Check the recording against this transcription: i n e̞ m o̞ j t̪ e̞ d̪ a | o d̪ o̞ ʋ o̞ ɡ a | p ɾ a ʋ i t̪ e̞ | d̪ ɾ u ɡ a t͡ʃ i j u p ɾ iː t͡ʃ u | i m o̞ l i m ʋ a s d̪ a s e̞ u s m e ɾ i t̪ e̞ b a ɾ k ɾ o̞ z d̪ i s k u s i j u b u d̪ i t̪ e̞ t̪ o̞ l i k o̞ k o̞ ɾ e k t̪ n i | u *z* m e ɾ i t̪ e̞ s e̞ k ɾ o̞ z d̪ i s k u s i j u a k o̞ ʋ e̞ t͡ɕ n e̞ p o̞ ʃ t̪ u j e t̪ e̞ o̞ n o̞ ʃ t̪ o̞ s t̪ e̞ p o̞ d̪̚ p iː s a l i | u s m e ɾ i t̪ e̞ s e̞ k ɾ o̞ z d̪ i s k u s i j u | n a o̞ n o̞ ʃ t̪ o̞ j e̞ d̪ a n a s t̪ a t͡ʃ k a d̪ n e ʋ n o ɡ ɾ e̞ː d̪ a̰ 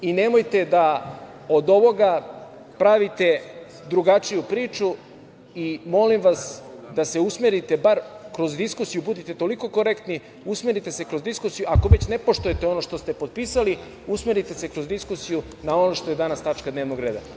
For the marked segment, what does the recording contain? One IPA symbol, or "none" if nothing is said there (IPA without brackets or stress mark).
s